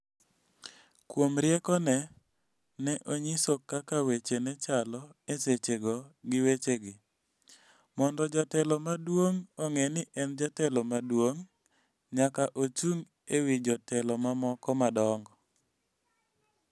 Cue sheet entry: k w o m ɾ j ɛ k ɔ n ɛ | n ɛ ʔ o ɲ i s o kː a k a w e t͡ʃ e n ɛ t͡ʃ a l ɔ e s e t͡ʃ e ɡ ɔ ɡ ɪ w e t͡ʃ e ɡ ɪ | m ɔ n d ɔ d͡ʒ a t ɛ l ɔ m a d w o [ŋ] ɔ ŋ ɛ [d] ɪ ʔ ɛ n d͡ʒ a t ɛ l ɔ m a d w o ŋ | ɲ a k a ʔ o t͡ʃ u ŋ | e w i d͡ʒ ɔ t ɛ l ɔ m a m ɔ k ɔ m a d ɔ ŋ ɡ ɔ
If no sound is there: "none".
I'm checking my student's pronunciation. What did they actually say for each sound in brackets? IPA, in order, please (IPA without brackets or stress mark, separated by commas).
ŋ, n